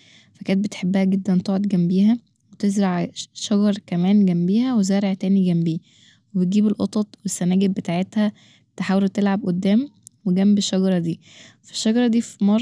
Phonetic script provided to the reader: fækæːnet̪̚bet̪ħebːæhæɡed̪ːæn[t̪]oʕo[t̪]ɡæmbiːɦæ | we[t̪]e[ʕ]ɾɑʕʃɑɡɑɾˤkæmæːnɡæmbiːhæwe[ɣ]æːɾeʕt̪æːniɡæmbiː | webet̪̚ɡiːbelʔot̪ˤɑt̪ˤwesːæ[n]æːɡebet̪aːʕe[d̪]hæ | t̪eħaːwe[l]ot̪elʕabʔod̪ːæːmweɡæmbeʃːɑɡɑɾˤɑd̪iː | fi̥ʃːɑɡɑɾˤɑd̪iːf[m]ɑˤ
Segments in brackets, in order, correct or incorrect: correct, incorrect, correct, incorrect, incorrect, correct, incorrect, correct, correct

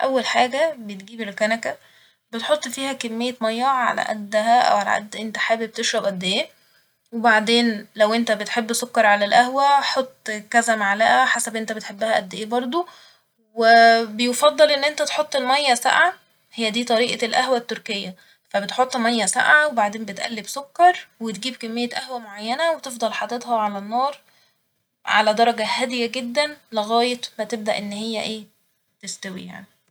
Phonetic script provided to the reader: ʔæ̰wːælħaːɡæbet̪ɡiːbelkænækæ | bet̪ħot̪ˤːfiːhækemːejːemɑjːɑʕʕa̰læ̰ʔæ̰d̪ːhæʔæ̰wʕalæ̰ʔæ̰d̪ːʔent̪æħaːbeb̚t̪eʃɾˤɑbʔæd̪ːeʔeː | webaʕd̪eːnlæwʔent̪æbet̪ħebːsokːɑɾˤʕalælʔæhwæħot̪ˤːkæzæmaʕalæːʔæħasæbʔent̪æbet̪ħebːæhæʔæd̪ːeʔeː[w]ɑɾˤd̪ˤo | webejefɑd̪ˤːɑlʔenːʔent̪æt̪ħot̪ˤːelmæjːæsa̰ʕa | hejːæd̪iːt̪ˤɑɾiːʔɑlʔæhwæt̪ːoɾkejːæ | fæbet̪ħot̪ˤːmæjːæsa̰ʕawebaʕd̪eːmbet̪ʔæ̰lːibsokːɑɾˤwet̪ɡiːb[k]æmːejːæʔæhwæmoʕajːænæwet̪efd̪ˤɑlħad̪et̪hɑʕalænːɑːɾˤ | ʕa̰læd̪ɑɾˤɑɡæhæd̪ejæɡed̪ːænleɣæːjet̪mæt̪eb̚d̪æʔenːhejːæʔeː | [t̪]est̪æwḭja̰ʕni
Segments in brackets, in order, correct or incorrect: incorrect, correct, correct

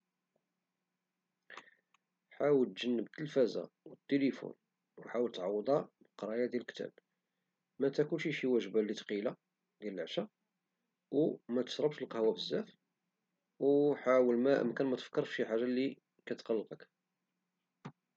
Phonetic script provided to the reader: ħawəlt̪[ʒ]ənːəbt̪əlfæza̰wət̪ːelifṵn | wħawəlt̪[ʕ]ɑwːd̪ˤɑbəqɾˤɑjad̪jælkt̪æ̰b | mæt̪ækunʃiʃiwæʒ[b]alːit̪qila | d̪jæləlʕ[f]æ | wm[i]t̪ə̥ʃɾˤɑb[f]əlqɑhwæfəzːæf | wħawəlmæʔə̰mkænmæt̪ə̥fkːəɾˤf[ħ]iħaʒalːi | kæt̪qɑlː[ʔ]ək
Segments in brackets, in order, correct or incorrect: correct, correct, correct, incorrect, incorrect, incorrect, incorrect, incorrect

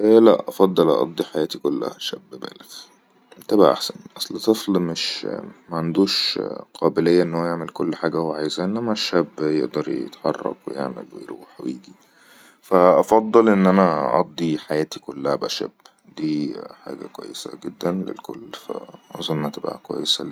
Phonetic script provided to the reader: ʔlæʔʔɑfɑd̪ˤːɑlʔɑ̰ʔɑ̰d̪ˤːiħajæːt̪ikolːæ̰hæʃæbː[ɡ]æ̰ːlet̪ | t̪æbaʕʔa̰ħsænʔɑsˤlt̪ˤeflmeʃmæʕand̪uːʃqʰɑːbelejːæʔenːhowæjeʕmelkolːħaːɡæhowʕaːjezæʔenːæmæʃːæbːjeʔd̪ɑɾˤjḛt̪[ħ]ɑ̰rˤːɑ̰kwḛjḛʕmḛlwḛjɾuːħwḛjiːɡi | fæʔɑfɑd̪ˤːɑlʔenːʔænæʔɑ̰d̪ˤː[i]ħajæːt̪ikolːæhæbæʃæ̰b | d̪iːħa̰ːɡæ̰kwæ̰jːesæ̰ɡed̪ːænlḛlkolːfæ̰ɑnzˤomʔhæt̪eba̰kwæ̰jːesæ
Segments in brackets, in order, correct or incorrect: incorrect, correct, correct

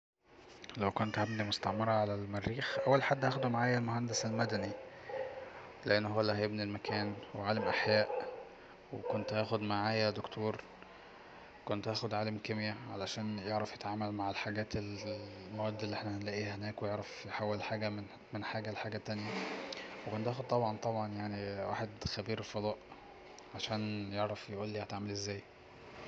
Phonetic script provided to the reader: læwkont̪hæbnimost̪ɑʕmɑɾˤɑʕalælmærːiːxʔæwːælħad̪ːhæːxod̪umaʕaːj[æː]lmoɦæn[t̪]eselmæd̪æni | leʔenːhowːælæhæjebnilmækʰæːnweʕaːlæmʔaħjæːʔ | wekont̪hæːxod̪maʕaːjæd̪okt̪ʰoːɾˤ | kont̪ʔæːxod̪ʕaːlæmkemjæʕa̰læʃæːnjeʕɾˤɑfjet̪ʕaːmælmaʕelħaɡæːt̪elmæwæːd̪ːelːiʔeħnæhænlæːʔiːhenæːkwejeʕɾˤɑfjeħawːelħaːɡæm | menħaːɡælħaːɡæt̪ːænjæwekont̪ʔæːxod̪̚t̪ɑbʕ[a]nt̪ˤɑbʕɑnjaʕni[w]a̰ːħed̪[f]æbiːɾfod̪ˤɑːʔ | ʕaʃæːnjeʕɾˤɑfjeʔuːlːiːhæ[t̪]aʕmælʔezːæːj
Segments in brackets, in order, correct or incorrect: incorrect, incorrect, incorrect, correct, incorrect, correct

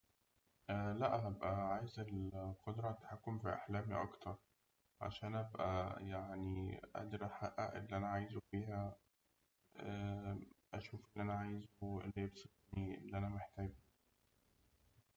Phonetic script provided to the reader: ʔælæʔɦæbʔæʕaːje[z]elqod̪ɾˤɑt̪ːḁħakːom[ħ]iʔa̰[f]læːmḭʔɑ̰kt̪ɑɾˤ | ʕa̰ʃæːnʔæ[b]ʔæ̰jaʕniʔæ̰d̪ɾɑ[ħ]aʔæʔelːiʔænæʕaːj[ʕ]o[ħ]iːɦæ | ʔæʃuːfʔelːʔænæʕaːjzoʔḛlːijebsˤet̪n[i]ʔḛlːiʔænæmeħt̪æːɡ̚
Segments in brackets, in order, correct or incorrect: correct, incorrect, incorrect, correct, correct, incorrect, incorrect, correct

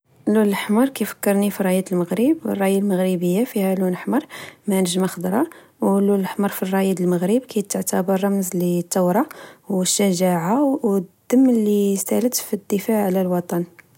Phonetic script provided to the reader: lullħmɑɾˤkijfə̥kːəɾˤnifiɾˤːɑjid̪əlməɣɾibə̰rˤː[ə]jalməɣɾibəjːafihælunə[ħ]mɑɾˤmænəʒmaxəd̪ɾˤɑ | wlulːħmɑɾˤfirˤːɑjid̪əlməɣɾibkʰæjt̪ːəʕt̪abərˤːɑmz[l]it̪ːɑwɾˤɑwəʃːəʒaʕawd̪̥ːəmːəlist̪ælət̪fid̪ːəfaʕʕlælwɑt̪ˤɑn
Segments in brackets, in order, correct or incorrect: incorrect, correct, correct

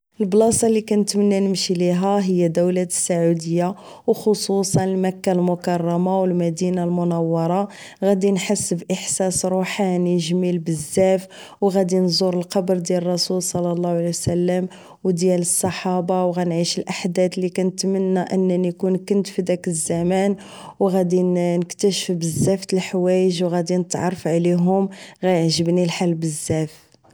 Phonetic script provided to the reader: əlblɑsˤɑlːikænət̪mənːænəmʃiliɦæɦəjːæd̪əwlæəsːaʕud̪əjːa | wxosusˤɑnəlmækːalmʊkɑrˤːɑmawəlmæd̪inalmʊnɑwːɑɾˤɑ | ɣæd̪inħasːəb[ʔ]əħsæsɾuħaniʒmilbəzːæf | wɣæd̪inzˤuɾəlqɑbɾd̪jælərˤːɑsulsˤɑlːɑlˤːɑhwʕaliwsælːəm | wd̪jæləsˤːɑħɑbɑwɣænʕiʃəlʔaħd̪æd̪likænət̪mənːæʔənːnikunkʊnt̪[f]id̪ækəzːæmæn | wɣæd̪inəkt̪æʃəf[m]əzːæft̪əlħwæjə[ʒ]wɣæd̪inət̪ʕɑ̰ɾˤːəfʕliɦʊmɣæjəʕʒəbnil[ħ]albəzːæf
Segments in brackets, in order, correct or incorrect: correct, correct, incorrect, correct, correct

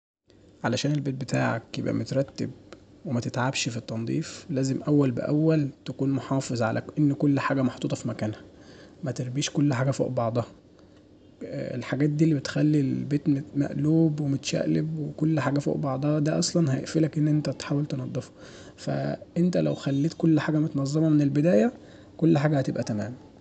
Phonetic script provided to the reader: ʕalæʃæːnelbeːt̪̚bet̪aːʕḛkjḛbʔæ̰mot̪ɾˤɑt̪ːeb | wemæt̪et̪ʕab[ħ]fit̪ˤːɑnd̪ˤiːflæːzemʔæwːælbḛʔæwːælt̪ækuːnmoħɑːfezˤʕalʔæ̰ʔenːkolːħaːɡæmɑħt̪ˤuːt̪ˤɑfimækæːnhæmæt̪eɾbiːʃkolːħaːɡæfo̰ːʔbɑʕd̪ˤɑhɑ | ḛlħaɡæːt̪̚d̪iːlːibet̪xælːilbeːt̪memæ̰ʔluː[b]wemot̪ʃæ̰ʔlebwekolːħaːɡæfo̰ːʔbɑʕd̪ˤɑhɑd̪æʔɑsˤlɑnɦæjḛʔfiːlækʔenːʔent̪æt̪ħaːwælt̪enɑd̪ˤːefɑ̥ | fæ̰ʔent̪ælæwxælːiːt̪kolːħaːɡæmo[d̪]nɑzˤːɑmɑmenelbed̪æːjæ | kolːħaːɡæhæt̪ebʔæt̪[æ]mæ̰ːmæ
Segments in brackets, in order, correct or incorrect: incorrect, correct, incorrect, correct

